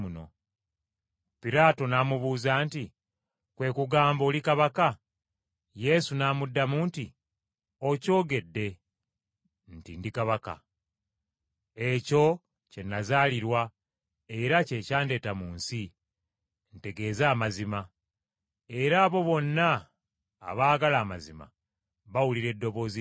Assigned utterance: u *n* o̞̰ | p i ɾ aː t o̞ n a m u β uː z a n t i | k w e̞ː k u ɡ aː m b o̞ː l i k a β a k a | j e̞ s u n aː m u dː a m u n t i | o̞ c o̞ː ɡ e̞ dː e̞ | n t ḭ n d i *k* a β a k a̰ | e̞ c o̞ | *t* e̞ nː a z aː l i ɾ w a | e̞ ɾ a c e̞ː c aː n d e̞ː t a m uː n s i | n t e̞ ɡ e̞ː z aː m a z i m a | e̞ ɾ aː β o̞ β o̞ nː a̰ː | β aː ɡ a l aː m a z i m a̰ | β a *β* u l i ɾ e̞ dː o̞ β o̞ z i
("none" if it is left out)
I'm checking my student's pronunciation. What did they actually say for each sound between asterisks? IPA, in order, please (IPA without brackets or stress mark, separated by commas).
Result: n, k, c, w